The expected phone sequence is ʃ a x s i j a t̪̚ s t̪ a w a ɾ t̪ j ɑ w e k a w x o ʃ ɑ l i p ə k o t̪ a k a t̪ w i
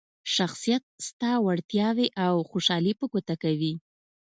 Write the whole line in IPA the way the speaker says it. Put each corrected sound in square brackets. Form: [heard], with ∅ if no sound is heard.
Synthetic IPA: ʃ a x s i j a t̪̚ s t̪ [ɑ] w a [ɽ] t̪ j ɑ w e [ʔ] a w x o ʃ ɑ l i p ə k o t̪ a k a [∅] w i